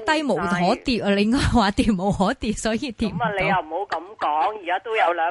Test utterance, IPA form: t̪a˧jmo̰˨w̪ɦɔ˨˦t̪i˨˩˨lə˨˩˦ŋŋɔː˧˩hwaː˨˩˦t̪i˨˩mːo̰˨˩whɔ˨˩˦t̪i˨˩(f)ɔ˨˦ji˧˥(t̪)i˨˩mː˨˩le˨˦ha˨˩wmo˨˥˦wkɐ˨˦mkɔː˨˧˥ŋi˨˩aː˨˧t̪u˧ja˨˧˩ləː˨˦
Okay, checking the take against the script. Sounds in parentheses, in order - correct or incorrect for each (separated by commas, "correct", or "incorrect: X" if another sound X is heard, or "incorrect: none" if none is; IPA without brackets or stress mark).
incorrect: s, correct